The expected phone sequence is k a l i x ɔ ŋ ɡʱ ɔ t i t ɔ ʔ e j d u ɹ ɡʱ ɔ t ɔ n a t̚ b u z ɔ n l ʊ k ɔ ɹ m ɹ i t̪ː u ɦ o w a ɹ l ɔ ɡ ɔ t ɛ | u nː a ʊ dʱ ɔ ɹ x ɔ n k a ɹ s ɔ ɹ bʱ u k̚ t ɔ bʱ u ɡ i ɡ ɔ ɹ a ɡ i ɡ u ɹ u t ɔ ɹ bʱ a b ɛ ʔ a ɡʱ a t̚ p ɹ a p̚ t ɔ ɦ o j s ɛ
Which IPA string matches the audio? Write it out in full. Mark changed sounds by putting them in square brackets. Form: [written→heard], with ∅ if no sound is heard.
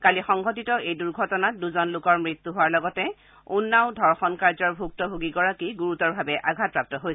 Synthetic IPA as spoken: k a l i x ɔ ŋ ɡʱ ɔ t i t ɔ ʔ e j d u ɹ ɡʱ ɔ t ɔ n a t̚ [b→d] u z ɔ n l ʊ k ɔ ɹ m ɹ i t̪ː u ɦ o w a ɹ l ɔ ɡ ɔ t ɛ | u nː a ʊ dʱ ɔ ɹ x ɔ n k a ɹ [s→z] ɔ ɹ bʱ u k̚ t ɔ bʱ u ɡ i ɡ ɔ ɹ a [ɡ→k] i ɡ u ɹ u t ɔ ɹ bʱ a b ɛ ʔ a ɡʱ a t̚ p ɹ a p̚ t ɔ ɦ o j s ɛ